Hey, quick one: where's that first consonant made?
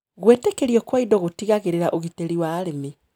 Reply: velum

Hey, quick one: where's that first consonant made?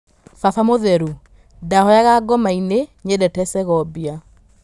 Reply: lips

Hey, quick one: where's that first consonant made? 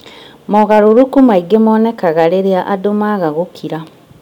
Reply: lips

